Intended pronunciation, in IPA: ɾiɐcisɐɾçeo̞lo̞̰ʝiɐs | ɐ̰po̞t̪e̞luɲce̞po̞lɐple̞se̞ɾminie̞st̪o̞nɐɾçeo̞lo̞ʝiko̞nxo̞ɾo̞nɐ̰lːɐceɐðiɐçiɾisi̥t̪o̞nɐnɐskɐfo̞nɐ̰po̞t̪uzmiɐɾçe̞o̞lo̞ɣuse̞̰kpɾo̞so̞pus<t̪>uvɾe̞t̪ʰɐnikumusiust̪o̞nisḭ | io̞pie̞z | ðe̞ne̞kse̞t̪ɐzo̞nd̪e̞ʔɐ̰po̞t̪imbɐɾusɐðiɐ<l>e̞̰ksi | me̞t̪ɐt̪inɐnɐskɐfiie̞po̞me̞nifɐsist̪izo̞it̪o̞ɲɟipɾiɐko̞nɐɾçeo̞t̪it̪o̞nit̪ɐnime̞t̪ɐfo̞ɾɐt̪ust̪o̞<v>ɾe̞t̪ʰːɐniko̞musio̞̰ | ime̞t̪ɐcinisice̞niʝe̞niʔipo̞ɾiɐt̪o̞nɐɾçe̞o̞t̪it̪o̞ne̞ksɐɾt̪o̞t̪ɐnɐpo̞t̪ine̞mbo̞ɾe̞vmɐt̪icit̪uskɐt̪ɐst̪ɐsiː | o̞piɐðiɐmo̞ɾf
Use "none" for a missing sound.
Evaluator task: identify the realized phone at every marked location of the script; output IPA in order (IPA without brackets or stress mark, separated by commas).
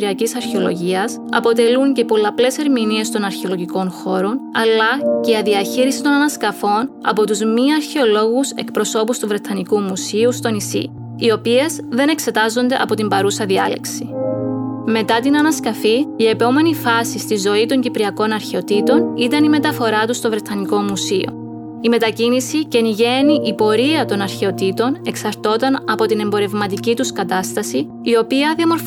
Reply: t̪, l, v